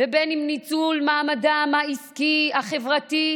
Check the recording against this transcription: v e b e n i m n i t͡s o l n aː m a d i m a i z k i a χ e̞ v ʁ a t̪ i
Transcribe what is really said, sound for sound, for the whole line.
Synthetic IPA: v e b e n i m n i t͡s u l m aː m a d a m a i s k i a χ e̞ v ʁ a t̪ i